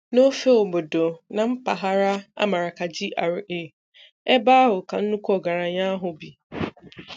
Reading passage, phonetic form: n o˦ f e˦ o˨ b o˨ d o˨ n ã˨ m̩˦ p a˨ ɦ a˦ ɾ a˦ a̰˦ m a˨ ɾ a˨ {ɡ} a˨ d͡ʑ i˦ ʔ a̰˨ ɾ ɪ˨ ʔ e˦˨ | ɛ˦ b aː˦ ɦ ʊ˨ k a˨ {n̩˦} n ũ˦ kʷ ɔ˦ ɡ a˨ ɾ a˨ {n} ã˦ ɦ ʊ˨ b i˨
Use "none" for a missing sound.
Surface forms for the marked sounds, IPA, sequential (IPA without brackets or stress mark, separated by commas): k, n̩˦, ɲ